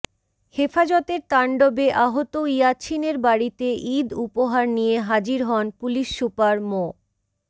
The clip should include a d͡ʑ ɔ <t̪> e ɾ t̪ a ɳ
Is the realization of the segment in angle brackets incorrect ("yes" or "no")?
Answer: no